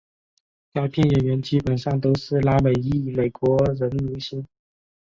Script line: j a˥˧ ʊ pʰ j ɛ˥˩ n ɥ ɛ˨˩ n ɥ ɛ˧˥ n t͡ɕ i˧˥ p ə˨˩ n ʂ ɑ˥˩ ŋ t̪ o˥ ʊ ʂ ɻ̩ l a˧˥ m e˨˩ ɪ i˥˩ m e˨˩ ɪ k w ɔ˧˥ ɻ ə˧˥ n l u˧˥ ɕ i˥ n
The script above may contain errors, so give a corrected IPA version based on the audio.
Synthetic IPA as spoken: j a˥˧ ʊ pʰ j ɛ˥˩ n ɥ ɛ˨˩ n ɥ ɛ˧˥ n t͡ɕ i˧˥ p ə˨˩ n ʂ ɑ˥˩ ŋ t̪ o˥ ʊ ʂ ɻ̩ l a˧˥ m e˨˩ ɪ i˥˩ m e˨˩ ɪ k w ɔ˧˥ ɻ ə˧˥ n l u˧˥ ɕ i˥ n

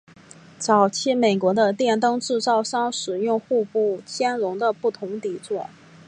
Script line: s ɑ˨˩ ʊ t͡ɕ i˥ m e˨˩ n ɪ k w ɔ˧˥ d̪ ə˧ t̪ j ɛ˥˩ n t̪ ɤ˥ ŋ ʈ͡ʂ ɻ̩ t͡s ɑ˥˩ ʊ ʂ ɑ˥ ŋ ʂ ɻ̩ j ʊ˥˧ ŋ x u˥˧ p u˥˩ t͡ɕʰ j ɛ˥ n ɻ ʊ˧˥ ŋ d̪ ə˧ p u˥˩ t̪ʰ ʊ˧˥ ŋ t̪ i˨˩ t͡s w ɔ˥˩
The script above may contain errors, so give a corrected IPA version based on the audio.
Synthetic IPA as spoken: t͡s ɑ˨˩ ʊ t͡ɕʰ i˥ m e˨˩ ɪ k w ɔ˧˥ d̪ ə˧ t̪ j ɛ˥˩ n t̪ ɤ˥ ŋ ʈ͡ʂ ɻ̩ t͡s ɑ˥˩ ʊ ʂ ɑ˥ ŋ ʂ ɻ̩ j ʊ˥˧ ŋ x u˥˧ p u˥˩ t͡ɕʰ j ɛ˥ n ɻ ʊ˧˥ ŋ d̪ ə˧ p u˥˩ t̪ʰ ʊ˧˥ ŋ t̪ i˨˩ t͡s w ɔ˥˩

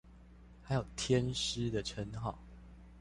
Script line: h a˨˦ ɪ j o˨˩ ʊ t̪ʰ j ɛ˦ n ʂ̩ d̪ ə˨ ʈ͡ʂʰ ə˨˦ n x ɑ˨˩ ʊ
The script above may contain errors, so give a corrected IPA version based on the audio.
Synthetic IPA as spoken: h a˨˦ ɪ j o˨˩ ʊ t̪ʰ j ɛ˦ n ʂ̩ d̪ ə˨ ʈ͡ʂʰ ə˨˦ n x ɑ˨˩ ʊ

